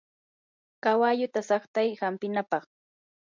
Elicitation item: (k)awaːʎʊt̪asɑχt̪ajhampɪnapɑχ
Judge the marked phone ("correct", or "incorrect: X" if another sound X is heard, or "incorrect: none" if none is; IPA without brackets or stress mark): correct